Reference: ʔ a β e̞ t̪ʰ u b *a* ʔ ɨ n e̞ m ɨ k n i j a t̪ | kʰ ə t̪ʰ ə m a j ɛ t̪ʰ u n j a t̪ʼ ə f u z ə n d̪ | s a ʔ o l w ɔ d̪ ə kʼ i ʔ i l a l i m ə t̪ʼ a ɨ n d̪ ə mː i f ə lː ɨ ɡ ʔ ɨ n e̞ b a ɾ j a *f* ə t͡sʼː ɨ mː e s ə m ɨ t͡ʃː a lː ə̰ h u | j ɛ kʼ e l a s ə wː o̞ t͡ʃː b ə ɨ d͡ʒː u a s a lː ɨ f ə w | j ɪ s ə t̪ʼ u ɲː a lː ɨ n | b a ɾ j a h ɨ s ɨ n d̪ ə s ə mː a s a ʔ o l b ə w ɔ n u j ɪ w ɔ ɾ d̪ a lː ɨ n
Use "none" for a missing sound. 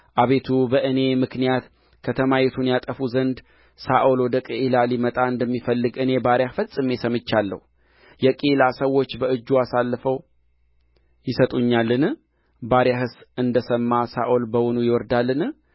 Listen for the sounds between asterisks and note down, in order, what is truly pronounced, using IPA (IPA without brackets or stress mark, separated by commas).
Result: ə, f